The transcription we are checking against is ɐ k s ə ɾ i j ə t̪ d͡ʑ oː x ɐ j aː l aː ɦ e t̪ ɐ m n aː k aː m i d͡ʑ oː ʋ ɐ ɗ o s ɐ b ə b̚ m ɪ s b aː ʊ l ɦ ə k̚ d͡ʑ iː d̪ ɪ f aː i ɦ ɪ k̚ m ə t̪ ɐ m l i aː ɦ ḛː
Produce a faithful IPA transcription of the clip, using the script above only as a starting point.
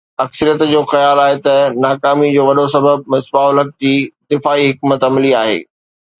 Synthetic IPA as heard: ɐ k s ə ɾ i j ə t̪ d͡ʑ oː x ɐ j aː l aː ɦ e t̪ ɐ n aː k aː m i d͡ʑ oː ʋ ɐ ɗ o s ɐ b ə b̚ m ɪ s b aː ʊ l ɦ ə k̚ d͡ʑ iː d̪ ɪ f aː i ɦ ɪ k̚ m ə t̪ ɐ m l i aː ɦ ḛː